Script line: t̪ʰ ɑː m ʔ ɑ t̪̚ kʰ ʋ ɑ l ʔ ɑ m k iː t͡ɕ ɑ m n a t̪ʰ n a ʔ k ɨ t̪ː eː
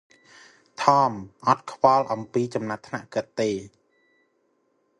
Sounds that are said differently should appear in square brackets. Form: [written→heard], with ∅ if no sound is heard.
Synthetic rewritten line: t̪ʰ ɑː m ʔ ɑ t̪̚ kʰ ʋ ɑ l ʔ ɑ m [k→p] iː t͡ɕ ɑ m n a t̪ʰ n a ʔ k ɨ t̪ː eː

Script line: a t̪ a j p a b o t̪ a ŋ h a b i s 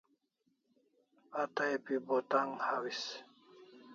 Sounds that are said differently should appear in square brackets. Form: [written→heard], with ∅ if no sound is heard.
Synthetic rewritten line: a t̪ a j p [a→i] b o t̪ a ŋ h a [b→w] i s

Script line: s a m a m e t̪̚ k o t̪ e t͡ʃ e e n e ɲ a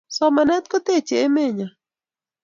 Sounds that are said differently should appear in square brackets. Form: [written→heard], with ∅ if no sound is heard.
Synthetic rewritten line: s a m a [m→n] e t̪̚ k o t̪ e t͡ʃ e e [n→m] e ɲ a

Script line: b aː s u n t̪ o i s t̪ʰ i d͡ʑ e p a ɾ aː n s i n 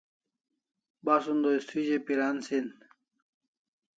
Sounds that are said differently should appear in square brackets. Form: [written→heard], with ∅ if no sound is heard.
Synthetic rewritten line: b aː s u n [t̪→d̪] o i s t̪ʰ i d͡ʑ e p [a→i] ɾ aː n s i n

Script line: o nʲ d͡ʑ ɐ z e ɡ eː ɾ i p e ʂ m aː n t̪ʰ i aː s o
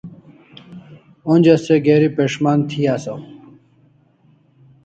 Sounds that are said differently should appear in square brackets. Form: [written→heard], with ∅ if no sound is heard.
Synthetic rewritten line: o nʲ d͡ʑ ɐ [z→s] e ɡ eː ɾ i p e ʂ m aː n t̪ʰ i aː s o

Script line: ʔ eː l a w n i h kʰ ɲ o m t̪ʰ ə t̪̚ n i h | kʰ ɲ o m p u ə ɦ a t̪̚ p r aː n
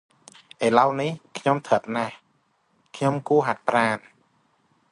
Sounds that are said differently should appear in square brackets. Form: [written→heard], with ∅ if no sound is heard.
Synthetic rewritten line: ʔ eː l a w n i h kʰ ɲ o m t̪ʰ ə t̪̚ n [i→a] h | kʰ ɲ o m [p→k] u ə ɦ a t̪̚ p r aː n

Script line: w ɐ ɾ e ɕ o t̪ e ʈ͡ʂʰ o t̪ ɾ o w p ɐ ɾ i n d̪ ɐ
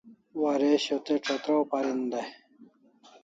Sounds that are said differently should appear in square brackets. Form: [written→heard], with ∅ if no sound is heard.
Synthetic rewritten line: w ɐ ɾ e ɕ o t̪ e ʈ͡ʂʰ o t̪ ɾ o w p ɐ ɾ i n d̪ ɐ

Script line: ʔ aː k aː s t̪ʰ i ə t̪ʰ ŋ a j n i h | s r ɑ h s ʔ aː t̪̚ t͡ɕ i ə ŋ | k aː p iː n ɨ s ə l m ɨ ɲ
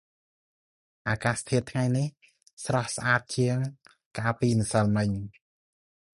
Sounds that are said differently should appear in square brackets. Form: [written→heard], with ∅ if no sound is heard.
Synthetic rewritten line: ʔ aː k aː s t̪ʰ i ə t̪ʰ ŋ a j n i h | s r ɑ h s ʔ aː t̪̚ t͡ɕ i ə ŋ | k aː p iː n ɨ s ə l m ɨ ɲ

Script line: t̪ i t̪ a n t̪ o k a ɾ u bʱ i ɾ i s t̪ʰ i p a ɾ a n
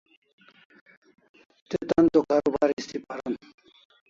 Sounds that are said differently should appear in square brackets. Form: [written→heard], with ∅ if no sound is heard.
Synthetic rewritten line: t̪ [i→e] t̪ a n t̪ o k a ɾ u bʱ [i→a] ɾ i s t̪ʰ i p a ɾ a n

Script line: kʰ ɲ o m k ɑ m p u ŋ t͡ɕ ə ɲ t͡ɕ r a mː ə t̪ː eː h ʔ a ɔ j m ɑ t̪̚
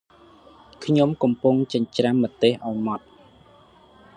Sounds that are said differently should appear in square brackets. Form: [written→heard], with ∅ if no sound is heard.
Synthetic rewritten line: kʰ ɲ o m k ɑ m p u ŋ t͡ɕ ə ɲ t͡ɕ r a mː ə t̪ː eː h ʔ a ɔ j m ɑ t̪̚

